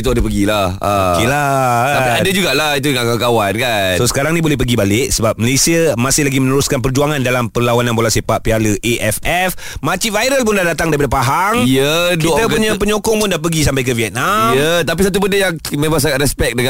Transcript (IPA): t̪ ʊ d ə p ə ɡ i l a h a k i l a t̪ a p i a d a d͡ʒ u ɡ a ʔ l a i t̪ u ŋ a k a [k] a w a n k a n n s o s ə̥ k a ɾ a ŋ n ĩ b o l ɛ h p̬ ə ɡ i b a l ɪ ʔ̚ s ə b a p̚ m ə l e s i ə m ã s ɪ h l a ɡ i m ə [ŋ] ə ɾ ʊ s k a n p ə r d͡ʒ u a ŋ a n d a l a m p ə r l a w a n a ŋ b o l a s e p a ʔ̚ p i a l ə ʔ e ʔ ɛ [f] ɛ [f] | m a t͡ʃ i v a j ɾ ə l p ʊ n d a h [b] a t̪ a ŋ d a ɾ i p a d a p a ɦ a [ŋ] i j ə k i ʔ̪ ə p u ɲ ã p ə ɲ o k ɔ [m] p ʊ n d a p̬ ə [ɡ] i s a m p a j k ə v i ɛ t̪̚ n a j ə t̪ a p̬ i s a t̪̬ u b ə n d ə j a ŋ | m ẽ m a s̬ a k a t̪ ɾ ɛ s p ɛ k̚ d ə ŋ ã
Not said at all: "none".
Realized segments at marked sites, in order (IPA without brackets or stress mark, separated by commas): k, n, f, f, d, ŋ, ŋ, ɡ